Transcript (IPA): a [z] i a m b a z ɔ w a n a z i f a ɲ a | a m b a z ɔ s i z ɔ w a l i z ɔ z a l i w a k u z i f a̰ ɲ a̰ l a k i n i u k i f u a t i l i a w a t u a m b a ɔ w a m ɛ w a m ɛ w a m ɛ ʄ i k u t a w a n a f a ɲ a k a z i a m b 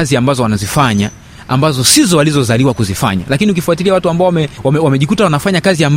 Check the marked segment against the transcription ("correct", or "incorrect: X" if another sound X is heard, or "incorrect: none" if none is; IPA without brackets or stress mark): correct